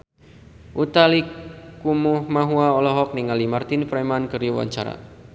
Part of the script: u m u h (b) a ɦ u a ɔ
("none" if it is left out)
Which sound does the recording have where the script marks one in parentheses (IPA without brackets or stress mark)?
m